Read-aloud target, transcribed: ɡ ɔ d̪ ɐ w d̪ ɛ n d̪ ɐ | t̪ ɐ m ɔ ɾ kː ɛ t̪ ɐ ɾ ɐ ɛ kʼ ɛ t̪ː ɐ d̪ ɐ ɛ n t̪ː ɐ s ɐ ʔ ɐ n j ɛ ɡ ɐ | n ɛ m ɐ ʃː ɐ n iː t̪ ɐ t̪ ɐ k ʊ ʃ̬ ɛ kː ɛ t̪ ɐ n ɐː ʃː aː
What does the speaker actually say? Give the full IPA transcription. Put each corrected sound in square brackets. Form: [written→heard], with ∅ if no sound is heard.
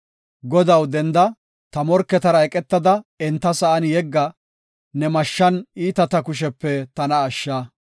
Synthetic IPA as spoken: ɡ ɔ d̪ ɐ w d̪ ɛ n d̪ ɐ | t̪ ɐ m ɔ ɾ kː ɛ t̪ ɐ ɾ ɐ ɛ kʼ ɛ t̪ː ɐ d̪ ɐ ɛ n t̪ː ɐ s ɐ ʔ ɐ n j ɛ [ɡ→ɡː] ɐ | n ɛ m ɐ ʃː ɐ n iː t̪ ɐ t̪ ɐ k ʊ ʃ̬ ɛ [kː→pː] ɛ t̪ ɐ n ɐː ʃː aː

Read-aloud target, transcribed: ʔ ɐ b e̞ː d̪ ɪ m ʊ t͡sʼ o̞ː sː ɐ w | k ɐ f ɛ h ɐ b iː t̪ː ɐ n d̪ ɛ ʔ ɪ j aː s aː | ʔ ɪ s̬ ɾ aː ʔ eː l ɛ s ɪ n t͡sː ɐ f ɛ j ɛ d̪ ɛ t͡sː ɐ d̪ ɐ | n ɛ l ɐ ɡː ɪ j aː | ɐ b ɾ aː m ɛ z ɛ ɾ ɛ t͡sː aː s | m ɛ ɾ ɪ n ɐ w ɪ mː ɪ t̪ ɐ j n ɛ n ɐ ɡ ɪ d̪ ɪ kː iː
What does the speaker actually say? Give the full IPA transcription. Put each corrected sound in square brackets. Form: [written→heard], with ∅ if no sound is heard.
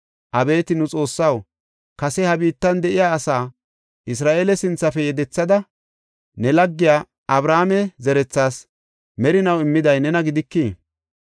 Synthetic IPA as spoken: ʔ ɐ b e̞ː [d̪→t̪] ɪ [m→n] ʊ t͡sʼ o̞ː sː ɐ w | k ɐ [f→s] ɛ h ɐ b iː t̪ː ɐ n d̪ ɛ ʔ ɪ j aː s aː | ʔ ɪ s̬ ɾ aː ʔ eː l ɛ s ɪ n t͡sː ɐ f ɛ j ɛ d̪ ɛ t͡sː ɐ d̪ ɐ | n ɛ l ɐ ɡː ɪ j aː | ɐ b ɾ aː m ɛ z ɛ ɾ ɛ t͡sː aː s | m ɛ ɾ ɪ n ɐ w ɪ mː ɪ [t̪→d̪] ɐ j n ɛ n ɐ ɡ ɪ d̪ ɪ kː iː

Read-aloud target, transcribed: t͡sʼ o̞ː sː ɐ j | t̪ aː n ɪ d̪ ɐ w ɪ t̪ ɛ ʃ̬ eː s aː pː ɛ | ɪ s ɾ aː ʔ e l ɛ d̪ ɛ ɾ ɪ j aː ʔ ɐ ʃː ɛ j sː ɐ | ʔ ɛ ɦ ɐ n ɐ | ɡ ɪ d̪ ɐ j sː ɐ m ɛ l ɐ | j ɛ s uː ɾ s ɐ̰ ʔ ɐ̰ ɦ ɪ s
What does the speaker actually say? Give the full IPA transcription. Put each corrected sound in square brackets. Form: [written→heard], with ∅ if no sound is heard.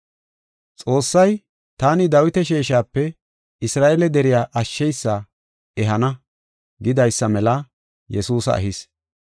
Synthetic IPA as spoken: t͡sʼ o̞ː sː ɐ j | t̪ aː n ɪ d̪ ɐ w ɪ t̪ ɛ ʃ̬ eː [s→ʃ] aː pː ɛ | ɪ s ɾ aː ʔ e l ɛ d̪ ɛ ɾ ɪ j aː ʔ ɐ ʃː ɛ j sː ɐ | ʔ ɛ ɦ ɐ n ɐ | ɡ ɪ d̪ ɐ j sː ɐ m ɛ l ɐ | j ɛ s uː [ɾ→∅] s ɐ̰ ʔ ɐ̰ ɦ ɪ s

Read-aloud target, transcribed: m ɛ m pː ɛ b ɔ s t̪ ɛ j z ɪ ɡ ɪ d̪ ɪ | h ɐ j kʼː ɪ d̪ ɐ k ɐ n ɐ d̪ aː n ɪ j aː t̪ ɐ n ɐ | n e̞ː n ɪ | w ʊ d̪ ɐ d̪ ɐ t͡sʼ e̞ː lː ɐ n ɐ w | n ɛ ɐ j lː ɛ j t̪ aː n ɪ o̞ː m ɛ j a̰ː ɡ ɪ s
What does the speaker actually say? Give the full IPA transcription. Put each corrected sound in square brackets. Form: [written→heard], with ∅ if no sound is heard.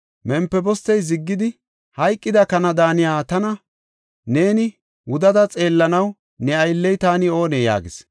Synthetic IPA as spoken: m ɛ m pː ɛ b ɔ s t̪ ɛ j z ɪ [ɡ→ɡː] ɪ d̪ ɪ | h ɐ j kʼː ɪ d̪ ɐ k ɐ n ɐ d̪ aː n ɪ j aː t̪ ɐ n ɐ | n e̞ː n ɪ | w ʊ d̪ ɐ d̪ ɐ t͡sʼ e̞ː lː ɐ n ɐ w | n ɛ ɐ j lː ɛ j t̪ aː n ɪ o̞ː [m→n] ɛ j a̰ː ɡ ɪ s

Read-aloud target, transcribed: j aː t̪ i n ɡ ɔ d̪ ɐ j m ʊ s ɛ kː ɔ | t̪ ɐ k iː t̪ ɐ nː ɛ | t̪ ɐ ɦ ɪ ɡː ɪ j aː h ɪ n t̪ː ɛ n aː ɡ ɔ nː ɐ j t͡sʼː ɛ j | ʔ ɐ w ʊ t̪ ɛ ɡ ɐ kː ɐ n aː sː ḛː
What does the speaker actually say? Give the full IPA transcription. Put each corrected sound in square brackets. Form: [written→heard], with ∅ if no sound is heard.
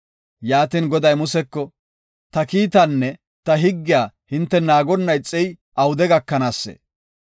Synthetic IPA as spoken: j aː t̪ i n ɡ ɔ d̪ ɐ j m ʊ s ɛ kː ɔ | t̪ ɐ k iː t̪ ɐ nː ɛ | t̪ ɐ ɦ ɪ ɡː ɪ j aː h ɪ n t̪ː ɛ n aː ɡ ɔ nː ɐ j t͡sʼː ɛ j | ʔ ɐ w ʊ [t̪→d̪] ɛ ɡ ɐ kː ɐ n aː sː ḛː

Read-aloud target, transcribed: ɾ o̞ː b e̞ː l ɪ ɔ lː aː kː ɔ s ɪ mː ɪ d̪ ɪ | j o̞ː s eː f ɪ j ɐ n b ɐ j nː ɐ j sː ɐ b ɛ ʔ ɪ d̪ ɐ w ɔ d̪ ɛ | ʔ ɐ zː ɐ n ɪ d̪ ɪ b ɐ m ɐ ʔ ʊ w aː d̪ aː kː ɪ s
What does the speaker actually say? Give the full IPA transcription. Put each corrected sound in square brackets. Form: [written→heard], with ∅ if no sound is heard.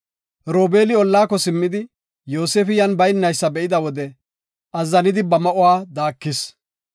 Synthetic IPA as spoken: ɾ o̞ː b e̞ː l ɪ ɔ lː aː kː ɔ s ɪ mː ɪ d̪ ɪ | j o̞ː s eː f ɪ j ɐ n b ɐ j nː ɐ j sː ɐ b ɛ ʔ ɪ d̪ ɐ w ɔ d̪ ɛ | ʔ ɐ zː ɐ n ɪ d̪ ɪ b ɐ m ɐ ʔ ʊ w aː d̪ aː kː ɪ s

